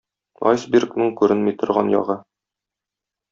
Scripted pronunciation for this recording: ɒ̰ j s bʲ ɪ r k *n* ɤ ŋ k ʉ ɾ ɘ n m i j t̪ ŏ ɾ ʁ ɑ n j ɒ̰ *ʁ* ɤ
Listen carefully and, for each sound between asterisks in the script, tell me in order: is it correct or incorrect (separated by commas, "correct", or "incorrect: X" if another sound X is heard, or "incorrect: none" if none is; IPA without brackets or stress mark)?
correct, correct